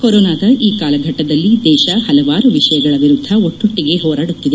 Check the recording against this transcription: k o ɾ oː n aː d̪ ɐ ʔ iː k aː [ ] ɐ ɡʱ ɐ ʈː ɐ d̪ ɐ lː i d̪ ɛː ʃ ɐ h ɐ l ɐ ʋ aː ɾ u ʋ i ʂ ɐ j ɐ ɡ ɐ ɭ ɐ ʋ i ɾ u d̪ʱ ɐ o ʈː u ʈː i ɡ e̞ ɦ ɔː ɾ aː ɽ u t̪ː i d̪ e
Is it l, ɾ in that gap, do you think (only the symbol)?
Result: l